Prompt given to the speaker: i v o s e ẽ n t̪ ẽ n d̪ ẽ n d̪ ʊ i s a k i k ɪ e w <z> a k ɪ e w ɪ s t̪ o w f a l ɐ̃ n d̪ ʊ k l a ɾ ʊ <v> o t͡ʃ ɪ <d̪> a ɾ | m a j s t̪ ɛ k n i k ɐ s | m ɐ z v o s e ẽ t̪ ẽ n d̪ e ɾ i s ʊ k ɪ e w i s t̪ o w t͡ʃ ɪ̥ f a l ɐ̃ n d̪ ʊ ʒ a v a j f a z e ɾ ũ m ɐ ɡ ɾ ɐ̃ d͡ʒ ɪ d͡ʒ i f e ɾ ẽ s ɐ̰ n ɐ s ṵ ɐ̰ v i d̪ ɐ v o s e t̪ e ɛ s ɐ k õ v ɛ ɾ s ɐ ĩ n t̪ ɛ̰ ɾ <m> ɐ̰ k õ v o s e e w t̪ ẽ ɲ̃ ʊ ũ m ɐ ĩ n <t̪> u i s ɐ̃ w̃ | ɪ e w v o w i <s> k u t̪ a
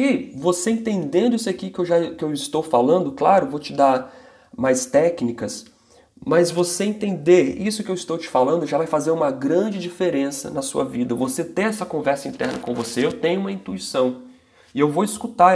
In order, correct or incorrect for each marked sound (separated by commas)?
incorrect, correct, correct, incorrect, correct, correct